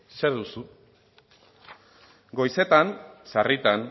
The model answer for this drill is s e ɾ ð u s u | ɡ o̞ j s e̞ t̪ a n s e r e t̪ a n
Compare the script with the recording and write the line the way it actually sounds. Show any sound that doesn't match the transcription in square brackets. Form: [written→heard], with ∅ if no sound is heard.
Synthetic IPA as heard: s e ɾ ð u s u | ɡ o̞ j s e̞ t̪ a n s [e→a] r [e→i] t̪ a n